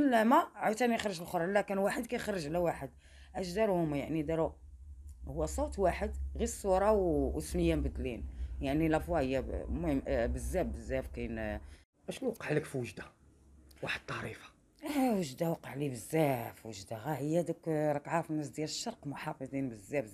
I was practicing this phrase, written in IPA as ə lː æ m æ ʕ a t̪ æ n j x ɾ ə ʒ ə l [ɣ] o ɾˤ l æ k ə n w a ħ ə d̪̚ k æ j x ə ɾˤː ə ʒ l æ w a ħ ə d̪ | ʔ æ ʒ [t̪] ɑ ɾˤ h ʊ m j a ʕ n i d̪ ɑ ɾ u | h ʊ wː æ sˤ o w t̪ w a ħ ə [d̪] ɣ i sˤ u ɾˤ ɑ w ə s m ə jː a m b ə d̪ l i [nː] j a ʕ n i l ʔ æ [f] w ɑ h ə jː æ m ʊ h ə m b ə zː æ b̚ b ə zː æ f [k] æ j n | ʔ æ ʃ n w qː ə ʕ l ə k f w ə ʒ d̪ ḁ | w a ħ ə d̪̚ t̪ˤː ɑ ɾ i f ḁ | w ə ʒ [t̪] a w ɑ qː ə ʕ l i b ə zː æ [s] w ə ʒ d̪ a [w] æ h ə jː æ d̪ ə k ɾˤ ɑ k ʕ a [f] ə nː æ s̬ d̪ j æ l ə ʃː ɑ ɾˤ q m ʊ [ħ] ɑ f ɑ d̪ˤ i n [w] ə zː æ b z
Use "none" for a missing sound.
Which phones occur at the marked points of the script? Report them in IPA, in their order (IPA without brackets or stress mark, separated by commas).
x, d̪, d̪, n, f, k, d̪, f, ɣ, f, ħ, b